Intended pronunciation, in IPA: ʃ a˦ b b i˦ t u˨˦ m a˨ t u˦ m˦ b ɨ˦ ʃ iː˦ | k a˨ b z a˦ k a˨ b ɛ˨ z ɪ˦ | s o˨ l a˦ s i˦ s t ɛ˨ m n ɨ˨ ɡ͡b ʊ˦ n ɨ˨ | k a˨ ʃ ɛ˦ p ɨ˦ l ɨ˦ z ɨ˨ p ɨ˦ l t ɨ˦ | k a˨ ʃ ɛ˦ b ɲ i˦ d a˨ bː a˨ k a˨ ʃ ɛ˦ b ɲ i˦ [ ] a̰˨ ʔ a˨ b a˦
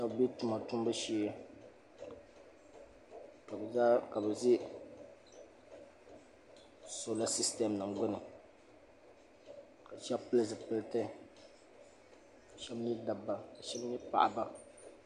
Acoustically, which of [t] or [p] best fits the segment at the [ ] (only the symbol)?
p